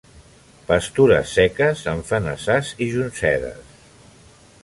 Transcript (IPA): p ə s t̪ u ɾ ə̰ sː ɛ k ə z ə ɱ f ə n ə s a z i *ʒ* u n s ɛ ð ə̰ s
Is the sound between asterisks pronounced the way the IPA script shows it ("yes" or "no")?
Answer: yes